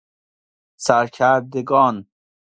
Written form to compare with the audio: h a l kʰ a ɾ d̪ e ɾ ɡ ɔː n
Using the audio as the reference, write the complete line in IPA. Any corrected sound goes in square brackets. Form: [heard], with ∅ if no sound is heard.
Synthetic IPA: [s] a [ɾ] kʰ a ɾ d̪ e [∅] ɡ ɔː n